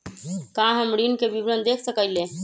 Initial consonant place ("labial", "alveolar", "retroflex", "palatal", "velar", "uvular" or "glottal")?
velar